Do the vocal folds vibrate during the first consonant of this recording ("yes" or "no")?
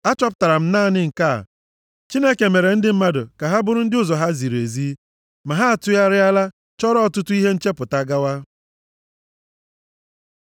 no